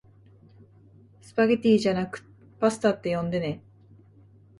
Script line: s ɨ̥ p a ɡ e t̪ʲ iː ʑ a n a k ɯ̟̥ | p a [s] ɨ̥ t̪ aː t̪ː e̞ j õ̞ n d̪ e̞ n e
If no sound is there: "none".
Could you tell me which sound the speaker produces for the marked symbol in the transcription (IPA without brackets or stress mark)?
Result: s